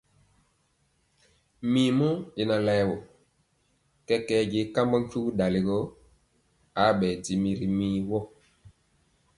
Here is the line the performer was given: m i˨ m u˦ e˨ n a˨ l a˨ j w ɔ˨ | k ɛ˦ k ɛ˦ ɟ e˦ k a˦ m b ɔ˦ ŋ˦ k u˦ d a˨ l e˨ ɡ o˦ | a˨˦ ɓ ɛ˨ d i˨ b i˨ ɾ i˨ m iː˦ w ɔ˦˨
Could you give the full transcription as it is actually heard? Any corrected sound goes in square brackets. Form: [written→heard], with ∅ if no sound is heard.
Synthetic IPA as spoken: m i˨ m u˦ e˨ n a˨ l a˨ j w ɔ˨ | k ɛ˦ k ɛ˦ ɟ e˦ k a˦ m b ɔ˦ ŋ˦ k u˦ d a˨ l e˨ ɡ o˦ | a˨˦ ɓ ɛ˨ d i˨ [b→m] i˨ ɾ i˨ m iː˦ w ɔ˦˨